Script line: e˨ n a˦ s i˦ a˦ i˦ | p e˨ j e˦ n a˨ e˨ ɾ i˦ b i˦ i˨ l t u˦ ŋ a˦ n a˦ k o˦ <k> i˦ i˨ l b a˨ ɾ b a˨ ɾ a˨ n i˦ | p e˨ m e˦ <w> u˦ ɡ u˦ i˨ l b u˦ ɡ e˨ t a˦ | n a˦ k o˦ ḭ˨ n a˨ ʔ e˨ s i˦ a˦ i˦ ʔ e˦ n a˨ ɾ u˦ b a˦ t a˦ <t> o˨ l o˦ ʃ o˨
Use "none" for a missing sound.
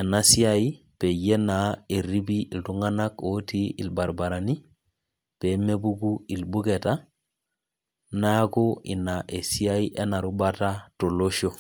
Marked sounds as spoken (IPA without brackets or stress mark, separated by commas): t, b, t